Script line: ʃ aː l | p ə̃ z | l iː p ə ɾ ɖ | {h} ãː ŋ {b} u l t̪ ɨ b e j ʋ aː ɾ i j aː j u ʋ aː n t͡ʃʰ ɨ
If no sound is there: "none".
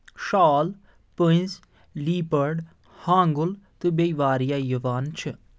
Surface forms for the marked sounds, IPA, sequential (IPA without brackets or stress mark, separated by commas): h, ɡ